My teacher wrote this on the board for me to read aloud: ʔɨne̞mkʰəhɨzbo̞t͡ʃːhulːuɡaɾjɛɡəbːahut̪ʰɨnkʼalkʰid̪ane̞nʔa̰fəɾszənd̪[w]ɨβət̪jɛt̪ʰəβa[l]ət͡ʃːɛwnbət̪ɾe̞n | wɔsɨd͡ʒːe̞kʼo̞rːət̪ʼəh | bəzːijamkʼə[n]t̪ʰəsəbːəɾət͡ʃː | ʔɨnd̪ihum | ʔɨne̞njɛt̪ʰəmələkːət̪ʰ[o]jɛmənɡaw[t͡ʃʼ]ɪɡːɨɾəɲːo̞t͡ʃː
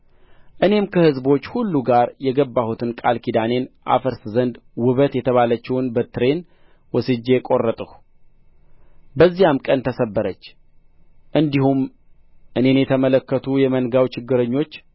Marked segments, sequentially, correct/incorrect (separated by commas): correct, correct, correct, incorrect, incorrect